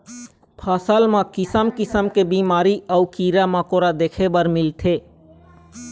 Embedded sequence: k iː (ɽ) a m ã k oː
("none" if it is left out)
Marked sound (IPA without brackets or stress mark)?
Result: ɾ